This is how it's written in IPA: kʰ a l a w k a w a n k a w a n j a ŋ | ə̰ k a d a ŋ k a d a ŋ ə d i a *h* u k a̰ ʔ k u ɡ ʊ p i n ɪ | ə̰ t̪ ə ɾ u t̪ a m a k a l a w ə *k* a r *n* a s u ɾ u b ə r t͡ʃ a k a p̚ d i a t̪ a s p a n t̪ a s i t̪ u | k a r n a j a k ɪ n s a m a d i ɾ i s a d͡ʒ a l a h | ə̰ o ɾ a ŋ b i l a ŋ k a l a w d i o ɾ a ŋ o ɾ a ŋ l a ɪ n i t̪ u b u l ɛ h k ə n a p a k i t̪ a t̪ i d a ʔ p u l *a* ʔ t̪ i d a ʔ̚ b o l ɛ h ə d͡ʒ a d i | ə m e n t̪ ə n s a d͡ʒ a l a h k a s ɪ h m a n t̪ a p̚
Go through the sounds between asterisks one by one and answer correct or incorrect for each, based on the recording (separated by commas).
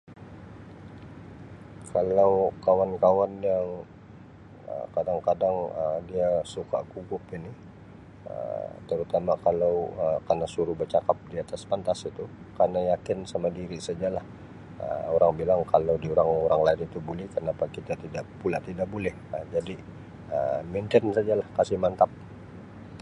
incorrect, correct, correct, correct